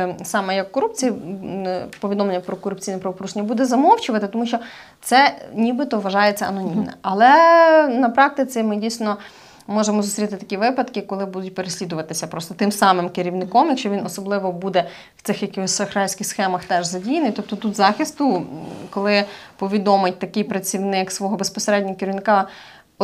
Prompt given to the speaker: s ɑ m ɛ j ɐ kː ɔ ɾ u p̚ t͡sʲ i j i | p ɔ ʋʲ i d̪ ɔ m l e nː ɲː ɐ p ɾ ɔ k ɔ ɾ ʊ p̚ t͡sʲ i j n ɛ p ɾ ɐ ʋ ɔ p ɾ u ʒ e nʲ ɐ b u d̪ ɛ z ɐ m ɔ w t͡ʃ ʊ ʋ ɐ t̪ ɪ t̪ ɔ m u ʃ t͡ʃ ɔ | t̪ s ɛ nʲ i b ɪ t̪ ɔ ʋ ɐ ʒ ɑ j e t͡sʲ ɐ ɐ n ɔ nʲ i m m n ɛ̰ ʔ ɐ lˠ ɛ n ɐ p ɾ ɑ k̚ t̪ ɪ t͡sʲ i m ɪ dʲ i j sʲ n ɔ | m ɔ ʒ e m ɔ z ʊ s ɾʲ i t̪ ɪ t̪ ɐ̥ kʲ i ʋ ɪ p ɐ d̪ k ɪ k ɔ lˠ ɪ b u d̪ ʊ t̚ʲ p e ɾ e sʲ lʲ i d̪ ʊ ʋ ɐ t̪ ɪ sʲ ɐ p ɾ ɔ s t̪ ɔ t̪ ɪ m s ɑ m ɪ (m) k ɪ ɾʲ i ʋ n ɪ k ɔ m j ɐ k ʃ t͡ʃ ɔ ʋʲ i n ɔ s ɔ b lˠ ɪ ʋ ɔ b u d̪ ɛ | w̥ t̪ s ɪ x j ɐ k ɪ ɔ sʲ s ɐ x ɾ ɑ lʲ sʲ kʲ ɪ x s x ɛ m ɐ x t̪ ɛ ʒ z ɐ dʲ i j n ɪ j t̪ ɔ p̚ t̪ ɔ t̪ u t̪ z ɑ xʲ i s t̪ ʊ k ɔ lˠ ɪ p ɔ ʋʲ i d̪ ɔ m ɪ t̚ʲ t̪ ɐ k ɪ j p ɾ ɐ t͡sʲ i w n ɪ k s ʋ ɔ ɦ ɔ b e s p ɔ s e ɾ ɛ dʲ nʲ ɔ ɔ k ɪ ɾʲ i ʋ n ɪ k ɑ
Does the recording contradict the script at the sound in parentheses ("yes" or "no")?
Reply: no